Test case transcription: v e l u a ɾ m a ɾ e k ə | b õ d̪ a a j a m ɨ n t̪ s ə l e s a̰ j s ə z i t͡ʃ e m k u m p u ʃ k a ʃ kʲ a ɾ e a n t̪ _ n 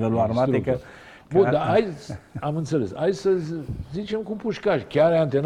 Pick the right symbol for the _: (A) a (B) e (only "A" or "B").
B